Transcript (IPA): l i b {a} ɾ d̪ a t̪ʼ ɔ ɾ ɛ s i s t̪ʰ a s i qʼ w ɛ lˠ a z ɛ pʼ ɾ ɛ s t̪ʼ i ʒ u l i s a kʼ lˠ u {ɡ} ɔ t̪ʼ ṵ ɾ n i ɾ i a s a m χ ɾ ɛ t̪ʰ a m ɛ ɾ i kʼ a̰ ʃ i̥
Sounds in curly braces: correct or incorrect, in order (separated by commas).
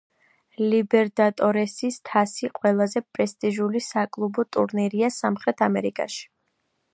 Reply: incorrect, incorrect